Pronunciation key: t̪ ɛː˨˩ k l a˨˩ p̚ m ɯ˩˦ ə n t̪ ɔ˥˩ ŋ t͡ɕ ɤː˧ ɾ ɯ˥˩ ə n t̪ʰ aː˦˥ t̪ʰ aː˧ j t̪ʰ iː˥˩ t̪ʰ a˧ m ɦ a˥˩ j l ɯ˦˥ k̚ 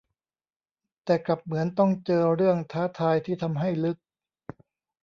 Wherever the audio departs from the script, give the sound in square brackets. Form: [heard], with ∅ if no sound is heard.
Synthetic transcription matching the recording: t̪ ɛː˨˩ k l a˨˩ p̚ m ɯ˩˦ ə n t̪ ɔ˥˩ ŋ t͡ɕ ɤː˧ ɾ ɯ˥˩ ə [ŋ] t̪ʰ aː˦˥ t̪ʰ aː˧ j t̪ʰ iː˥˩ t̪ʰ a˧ m ɦ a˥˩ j l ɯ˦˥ k̚